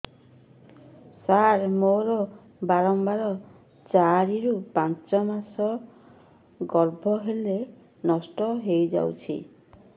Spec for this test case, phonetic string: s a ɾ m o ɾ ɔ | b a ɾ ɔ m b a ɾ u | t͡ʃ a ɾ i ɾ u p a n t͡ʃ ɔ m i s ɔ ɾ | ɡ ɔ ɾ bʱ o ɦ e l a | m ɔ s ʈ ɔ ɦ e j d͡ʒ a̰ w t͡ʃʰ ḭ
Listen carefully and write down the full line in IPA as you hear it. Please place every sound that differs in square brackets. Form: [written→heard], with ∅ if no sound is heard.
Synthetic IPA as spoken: s a ɾ m o ɾ ɔ | b a ɾ ɔ m b a ɾ [u→ɔ] | t͡ʃ a ɾ i ɾ u p a n t͡ʃ ɔ m [i→a] s ɔ [ɾ→∅] | ɡ ɔ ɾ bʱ [o→ɔ] ɦ e l [a→e] | [m→n] ɔ s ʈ ɔ ɦ e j d͡ʒ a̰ w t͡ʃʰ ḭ